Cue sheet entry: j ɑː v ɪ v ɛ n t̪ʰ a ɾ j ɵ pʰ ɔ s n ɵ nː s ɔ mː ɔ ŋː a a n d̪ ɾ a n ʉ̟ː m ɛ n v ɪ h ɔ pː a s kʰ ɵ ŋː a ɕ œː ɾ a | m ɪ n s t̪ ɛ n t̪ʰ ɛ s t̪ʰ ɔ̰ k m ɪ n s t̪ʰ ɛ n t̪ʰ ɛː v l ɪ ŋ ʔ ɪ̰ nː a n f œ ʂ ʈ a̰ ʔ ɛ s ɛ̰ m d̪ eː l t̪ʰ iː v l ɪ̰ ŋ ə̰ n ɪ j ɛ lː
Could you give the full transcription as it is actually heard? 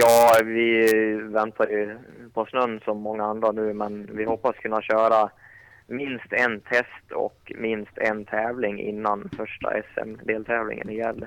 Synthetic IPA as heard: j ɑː v ɪ v ɛ n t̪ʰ a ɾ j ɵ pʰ ɔ s n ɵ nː s ɔ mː ɔ ŋː a a n d̪ ɾ a n ʉ̟ː m ɛ n v ɪ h ɔ pː a s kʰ ɵ nː a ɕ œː ɾ a | m ɪ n s t̪ ɛ n t̪ʰ ɛ s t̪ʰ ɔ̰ k m ɪ n s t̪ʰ ɛ n t̪ʰ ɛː v l ɪ ŋ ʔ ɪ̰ nː a n f œ ʂ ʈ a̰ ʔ ɛ s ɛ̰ m d̪ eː l t̪ʰ ɛː v l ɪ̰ ŋ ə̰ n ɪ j ɛ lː